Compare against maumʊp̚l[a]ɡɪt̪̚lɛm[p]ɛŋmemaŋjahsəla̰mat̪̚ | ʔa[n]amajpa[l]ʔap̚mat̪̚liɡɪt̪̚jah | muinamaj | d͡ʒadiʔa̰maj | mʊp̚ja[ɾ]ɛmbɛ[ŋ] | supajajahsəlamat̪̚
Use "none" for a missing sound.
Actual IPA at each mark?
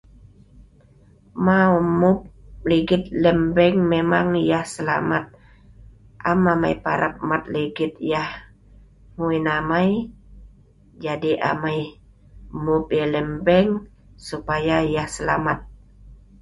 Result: i, b, m, ɾ, l, ŋ

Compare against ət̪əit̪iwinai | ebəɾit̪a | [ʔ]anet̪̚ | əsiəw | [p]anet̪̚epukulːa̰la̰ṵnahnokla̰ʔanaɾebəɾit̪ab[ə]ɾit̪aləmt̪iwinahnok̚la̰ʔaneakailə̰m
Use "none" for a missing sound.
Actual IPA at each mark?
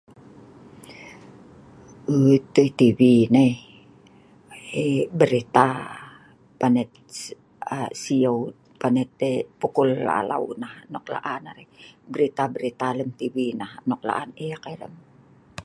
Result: p, p, ə

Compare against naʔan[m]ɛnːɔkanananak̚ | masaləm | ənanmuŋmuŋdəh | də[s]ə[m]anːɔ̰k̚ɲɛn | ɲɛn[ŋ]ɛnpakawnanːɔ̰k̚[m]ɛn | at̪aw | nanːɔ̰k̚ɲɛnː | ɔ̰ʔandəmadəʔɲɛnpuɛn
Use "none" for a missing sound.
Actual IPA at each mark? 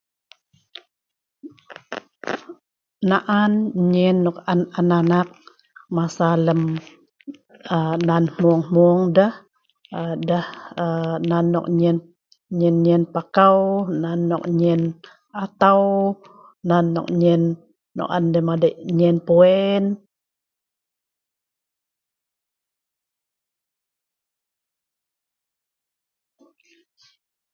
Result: ɲ, h, n, ɲ, ɲ

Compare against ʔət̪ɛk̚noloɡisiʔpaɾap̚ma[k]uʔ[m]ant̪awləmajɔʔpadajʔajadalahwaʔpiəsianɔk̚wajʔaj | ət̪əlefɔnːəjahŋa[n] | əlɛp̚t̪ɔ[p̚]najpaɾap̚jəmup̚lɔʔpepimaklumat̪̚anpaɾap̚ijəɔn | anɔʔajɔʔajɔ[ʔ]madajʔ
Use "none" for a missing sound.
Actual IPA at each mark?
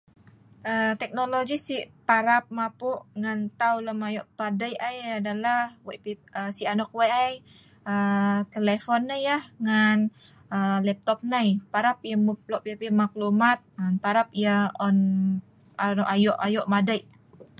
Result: p, ŋ, n, p̚, ʔ

